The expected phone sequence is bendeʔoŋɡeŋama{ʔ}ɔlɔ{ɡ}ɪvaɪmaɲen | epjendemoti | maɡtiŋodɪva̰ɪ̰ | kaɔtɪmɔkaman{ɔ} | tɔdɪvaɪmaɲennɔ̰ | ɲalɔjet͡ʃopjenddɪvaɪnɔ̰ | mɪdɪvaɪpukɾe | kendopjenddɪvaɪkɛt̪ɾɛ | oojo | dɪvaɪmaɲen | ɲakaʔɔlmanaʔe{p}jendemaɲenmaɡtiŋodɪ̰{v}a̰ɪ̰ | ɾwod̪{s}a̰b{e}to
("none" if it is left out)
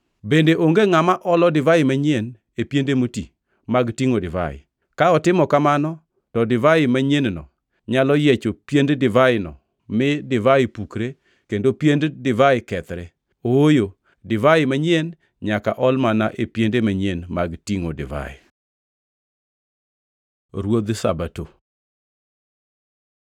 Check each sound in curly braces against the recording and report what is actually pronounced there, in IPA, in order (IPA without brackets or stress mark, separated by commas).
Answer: ʔ, d, ɔ, p, v, s, a